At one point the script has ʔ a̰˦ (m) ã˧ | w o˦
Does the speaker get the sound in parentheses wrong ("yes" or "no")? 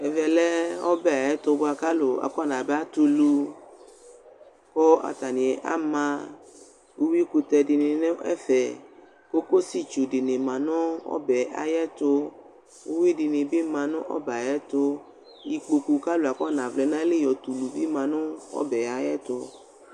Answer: no